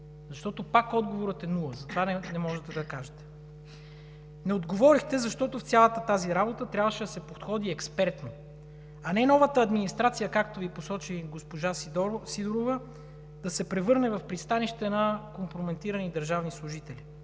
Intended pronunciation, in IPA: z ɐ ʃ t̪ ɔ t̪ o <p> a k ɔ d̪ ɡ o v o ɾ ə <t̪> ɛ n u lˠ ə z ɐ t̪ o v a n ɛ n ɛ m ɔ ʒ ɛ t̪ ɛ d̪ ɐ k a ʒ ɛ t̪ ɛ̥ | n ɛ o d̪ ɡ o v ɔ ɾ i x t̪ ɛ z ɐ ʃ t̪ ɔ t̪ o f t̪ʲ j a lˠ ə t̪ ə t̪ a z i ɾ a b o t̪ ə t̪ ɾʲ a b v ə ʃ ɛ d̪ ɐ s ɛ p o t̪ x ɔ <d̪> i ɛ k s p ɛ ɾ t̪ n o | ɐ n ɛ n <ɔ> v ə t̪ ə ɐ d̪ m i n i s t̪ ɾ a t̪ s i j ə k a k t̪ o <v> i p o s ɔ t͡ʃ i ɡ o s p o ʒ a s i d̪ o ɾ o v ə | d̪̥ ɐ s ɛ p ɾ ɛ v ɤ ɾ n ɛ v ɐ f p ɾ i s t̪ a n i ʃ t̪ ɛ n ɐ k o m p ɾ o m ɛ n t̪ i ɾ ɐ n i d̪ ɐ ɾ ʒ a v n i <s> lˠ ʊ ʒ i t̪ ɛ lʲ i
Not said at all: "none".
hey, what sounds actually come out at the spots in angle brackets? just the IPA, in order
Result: p, t̪, d̪, ɔ, v, s

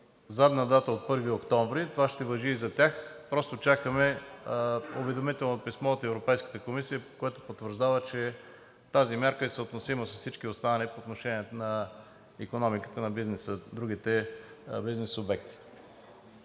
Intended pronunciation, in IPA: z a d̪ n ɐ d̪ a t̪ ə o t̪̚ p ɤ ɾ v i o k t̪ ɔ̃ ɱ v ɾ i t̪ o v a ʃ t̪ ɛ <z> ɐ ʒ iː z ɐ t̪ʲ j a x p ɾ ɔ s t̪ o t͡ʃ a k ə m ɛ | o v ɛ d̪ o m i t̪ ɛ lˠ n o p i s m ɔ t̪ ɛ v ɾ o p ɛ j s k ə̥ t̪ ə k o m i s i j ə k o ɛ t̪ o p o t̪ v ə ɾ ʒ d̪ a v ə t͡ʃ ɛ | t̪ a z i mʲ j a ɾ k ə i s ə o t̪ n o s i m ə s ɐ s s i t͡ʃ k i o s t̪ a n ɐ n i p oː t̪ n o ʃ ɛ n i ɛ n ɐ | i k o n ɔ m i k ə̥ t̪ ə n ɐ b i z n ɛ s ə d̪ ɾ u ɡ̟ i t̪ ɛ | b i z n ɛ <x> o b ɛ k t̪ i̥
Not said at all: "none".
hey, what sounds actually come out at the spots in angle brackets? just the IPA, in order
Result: v, s

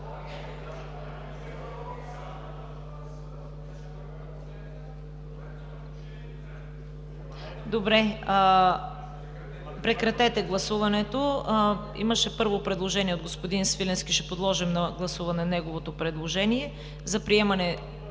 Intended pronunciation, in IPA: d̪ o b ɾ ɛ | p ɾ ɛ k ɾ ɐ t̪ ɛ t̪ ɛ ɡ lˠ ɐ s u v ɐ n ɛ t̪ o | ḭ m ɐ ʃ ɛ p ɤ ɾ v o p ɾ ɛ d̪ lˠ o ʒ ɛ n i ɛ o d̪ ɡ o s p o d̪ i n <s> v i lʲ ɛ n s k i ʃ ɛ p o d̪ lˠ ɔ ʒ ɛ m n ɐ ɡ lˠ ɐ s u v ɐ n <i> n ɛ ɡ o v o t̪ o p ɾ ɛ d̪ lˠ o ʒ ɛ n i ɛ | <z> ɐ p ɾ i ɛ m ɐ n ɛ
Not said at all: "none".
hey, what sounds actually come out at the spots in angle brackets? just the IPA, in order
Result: s, ɛ, z

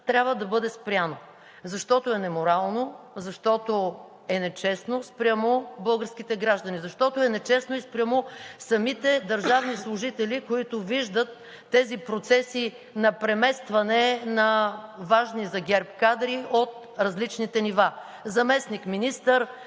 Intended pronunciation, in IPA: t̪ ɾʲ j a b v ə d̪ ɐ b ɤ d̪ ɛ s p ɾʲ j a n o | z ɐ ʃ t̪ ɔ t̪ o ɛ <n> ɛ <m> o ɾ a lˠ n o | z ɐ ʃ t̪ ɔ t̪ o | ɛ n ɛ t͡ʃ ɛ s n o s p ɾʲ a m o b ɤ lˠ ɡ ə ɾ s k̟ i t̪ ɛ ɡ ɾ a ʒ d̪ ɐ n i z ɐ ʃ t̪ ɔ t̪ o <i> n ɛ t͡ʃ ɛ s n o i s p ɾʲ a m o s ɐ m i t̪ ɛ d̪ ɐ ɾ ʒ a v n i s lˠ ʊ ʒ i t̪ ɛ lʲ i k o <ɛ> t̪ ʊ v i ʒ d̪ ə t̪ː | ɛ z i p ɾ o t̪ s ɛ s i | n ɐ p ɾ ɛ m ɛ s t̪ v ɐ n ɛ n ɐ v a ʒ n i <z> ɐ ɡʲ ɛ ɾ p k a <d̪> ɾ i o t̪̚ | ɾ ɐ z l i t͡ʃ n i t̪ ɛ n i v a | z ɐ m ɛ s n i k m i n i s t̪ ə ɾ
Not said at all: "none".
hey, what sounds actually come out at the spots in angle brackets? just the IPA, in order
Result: n, m, ɛ, i, z, d̪

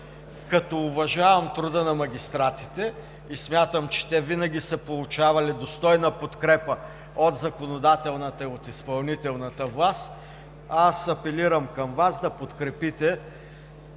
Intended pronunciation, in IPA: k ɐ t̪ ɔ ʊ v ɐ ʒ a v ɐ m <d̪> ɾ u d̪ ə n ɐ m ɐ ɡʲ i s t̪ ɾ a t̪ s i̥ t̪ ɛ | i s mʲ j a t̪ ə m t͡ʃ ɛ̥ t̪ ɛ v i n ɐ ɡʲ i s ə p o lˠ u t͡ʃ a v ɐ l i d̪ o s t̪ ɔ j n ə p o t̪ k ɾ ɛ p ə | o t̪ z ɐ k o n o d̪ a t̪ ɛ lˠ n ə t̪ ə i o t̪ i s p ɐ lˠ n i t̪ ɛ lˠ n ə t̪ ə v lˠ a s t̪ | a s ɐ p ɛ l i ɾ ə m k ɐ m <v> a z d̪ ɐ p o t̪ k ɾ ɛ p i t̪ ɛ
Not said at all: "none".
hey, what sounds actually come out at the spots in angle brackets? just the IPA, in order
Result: t̪, v

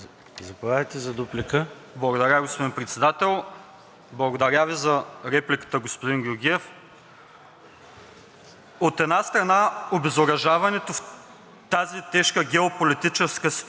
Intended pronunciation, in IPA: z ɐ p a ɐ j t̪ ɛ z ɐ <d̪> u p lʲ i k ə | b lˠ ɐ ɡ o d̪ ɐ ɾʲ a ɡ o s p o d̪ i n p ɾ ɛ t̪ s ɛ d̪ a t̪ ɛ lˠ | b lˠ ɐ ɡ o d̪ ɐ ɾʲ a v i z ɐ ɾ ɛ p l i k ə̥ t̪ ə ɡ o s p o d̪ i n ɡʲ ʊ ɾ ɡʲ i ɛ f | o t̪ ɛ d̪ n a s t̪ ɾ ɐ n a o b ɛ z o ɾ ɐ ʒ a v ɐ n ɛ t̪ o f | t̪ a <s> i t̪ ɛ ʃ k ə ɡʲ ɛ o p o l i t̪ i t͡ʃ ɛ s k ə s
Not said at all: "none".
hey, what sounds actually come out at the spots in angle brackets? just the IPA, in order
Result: d̪, z

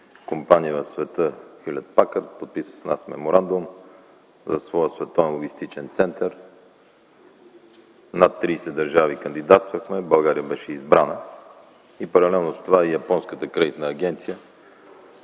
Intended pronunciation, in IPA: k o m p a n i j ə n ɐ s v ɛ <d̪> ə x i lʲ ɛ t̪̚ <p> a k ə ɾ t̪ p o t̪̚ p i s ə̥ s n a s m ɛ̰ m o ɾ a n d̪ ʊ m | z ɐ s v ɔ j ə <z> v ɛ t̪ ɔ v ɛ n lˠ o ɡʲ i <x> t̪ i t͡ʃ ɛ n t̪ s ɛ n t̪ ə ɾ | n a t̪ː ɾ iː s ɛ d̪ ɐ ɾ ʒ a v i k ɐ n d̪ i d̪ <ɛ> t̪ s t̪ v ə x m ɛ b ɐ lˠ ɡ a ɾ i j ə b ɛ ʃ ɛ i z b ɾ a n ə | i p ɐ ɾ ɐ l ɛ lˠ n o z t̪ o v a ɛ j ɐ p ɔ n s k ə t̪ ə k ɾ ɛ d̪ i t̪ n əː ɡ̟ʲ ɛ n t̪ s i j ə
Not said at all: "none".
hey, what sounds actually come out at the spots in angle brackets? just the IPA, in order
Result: t̪, p, s, s, a

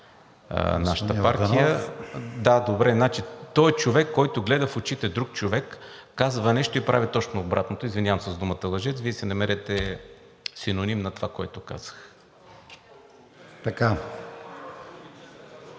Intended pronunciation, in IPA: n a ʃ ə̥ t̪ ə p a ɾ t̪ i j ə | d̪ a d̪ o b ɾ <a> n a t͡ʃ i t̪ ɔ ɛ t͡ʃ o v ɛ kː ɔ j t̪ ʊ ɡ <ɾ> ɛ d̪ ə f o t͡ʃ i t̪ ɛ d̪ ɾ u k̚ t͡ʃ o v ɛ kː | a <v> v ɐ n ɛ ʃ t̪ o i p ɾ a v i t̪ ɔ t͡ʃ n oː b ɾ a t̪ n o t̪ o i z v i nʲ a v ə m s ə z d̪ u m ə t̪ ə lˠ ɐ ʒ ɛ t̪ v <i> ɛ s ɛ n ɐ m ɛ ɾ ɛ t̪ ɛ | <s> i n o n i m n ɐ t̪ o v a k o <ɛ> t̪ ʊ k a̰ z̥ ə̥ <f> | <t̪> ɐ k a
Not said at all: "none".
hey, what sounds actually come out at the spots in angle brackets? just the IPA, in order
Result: ɛ, l, z, i, s, ɛ, x, t̪

